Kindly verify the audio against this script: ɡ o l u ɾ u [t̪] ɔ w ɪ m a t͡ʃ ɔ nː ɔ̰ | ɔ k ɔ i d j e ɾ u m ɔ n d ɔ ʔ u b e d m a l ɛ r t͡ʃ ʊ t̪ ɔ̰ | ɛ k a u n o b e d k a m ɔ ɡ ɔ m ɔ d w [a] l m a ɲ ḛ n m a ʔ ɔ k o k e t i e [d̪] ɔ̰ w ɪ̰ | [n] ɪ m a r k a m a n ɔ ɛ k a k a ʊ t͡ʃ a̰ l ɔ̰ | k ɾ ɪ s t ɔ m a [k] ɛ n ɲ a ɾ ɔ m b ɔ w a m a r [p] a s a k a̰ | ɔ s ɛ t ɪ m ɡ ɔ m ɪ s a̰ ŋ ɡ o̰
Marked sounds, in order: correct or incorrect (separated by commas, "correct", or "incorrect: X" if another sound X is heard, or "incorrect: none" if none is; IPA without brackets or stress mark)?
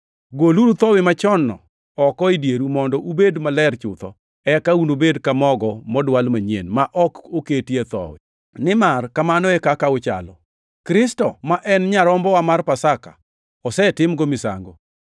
correct, correct, incorrect: t̪, correct, incorrect: ʔ, correct